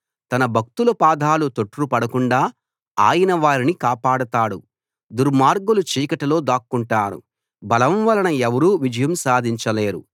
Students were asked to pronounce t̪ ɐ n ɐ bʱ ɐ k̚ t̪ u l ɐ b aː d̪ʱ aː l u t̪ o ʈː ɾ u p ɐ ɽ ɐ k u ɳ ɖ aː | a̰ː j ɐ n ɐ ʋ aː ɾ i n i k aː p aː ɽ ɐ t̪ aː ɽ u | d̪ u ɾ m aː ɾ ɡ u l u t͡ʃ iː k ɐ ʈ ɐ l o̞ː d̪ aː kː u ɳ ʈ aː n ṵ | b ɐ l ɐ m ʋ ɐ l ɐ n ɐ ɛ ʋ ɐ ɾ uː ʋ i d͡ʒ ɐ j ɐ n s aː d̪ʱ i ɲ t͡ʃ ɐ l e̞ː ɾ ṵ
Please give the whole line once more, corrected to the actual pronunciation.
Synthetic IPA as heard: t̪ ɐ n ɐ bʱ ɐ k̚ t̪ u l ɐ p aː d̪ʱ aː l u t̪ o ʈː ɾ u p ɐ ɽ ɐ k u ɳ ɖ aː | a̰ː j ɐ n ɐ ʋ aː ɾ i n i k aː p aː ɽ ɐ t̪ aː ɽ u | d̪ u ɾ m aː ɾ ɡ u l u t͡ʃ iː k ɐ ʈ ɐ l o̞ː d̪ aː kː u ɳ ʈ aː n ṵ | b ɐ l ɐ m ʋ ɐ l ɐ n ɐ ɛ ʋ ɐ ɾ uː ʋ i d͡ʒ ɐ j ɐ m s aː d̪ʱ i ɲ t͡ʃ ɐ l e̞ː ɾ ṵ